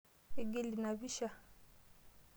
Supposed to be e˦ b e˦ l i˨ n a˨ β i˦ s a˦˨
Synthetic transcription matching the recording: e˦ ɡ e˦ l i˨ n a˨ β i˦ ʃ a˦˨